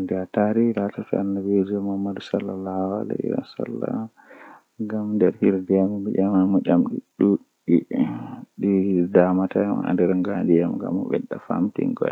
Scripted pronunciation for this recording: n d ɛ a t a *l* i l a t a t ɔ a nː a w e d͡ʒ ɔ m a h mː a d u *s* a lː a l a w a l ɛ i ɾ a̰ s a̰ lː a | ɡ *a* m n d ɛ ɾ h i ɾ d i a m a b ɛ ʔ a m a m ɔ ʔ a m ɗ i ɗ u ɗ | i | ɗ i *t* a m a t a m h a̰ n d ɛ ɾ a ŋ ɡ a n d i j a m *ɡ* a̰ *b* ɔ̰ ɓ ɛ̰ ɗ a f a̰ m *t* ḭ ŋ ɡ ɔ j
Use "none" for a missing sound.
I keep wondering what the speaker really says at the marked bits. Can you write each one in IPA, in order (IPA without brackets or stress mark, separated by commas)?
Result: ɾ, s, a, d, ɡ, m, t